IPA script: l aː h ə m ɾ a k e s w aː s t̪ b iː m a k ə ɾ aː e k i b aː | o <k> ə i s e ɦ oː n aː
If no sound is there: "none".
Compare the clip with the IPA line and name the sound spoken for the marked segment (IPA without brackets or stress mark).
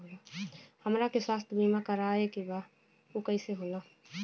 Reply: k